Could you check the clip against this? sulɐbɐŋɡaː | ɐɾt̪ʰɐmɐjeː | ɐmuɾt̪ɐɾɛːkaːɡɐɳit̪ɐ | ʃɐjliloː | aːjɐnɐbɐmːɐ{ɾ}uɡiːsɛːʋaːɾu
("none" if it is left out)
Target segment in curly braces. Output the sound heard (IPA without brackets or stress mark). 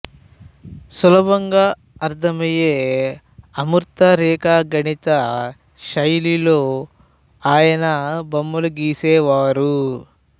l